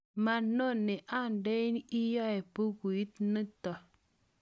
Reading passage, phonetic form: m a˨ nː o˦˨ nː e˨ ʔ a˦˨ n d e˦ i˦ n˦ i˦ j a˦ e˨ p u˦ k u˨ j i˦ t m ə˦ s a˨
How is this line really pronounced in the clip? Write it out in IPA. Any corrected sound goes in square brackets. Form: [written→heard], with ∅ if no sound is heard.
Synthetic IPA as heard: m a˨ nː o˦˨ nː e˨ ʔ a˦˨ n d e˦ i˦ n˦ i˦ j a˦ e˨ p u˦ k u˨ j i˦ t [m→n] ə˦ [s→t] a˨